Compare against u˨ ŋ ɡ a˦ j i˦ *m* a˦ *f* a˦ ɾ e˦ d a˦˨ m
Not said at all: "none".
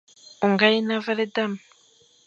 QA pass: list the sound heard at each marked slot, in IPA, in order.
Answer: n, v

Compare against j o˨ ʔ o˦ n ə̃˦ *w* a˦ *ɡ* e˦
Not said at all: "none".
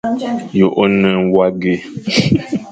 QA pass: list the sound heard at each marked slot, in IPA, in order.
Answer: w, ɡ

